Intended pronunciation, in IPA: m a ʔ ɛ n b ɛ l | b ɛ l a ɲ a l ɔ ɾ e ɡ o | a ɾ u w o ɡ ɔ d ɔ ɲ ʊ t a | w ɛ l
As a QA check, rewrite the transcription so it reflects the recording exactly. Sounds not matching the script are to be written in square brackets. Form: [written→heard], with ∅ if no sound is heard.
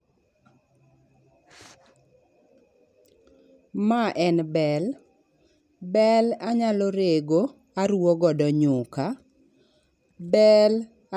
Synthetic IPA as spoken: m a ʔ ɛ n b ɛ l | b ɛ l a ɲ a l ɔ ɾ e ɡ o | a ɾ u w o ɡ ɔ d ɔ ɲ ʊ [t→k] a | [w→b] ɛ l